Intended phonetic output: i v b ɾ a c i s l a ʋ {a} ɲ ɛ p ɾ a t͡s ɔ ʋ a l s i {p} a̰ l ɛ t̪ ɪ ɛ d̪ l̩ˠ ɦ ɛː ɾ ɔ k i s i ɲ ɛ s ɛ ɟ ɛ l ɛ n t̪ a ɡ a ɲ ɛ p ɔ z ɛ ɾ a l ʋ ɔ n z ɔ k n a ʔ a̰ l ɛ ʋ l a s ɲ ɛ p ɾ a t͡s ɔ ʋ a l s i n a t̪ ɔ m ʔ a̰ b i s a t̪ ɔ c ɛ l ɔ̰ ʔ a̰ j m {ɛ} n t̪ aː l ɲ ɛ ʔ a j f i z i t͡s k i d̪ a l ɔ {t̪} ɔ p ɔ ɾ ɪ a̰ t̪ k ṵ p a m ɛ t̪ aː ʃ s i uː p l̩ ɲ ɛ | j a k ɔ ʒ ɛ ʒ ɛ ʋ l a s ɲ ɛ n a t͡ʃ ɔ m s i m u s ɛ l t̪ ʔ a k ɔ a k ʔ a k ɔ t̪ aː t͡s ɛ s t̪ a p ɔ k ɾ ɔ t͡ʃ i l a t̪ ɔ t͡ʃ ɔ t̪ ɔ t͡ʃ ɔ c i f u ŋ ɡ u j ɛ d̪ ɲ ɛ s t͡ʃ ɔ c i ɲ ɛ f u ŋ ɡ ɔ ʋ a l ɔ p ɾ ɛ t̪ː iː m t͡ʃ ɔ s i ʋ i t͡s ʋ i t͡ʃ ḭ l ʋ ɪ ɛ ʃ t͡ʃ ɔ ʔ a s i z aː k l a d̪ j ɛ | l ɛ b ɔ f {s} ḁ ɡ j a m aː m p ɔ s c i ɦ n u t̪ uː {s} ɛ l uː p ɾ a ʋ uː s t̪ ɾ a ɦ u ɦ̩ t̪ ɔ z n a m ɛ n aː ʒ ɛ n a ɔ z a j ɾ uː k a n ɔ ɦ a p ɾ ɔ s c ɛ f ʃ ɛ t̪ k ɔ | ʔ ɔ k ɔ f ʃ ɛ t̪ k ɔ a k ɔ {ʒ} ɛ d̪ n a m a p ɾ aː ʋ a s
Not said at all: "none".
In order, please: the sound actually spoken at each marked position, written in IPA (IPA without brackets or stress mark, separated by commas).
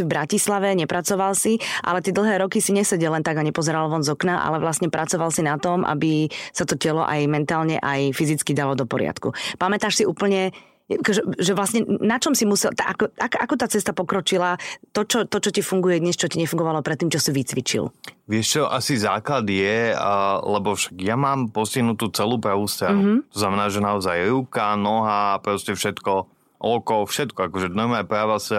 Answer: ɛ, ʔ, ɛ, d̪, ʃ, t͡s, ʒ